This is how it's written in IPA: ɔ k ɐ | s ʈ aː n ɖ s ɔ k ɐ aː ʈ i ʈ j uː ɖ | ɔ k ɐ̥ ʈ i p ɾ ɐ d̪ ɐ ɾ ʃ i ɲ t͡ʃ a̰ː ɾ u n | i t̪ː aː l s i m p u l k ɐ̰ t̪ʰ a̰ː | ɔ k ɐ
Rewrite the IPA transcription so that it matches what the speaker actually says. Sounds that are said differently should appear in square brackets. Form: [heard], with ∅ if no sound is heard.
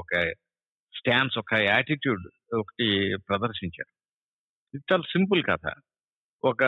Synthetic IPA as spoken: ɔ k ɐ | s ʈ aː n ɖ s ɔ k ɐ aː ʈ i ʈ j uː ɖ | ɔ k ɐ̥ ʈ i p ɾ ɐ d̪ ɐ ɾ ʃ i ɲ t͡ʃ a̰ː ɾ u [∅] | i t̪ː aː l s i m p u l k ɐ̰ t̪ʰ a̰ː | ɔ k ɐ